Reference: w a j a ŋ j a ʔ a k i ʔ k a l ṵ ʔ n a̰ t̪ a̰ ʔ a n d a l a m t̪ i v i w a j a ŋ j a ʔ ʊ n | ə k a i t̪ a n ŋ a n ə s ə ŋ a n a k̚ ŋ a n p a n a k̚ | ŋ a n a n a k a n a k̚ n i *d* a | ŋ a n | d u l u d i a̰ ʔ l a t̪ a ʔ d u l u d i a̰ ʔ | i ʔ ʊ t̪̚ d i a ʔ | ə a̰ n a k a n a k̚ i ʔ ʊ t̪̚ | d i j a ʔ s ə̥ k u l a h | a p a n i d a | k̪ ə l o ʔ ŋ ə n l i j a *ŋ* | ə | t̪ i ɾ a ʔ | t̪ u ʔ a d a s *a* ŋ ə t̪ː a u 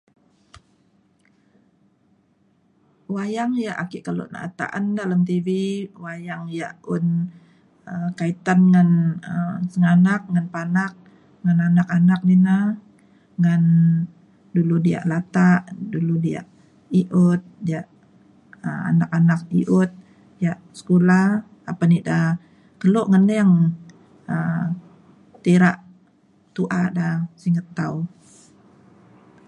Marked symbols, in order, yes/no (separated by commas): no, yes, no